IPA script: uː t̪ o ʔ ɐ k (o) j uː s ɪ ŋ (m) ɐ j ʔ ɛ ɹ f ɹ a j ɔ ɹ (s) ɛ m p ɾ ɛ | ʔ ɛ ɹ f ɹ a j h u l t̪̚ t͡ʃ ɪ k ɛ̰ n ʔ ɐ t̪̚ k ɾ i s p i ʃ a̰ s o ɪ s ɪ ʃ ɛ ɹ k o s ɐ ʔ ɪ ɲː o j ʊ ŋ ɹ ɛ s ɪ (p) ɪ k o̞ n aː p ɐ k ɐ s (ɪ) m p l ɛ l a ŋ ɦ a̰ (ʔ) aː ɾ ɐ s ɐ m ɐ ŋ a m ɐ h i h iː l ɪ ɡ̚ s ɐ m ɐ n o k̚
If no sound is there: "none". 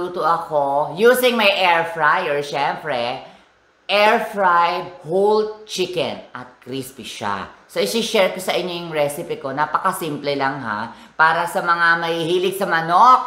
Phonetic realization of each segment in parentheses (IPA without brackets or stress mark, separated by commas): o, m, ʃ, p, i, p